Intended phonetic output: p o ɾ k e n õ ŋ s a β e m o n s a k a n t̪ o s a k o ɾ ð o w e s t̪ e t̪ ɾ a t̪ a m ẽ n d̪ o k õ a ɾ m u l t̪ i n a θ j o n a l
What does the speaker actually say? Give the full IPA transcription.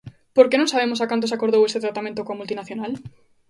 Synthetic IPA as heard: p o ɾ k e n õ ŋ s a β e m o s a k a n t̪ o s a k o ɾ ð o w e s t̪ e t̪ ɾ a t̪ a m ẽ n t̪ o k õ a m u l t̪ i n a θ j o n a l